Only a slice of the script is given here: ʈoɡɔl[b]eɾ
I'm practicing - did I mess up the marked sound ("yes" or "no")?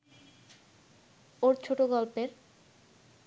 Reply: yes